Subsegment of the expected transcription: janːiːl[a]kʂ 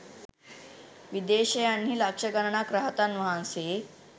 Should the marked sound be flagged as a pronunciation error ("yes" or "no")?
no